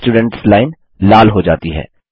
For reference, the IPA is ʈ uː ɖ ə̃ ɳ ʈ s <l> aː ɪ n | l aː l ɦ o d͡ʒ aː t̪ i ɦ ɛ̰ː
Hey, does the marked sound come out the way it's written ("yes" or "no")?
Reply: yes